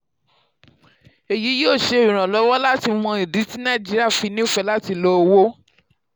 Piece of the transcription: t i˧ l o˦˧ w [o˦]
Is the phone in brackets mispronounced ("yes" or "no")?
no